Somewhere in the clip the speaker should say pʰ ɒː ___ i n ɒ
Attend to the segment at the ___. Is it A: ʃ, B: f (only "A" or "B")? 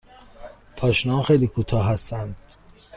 A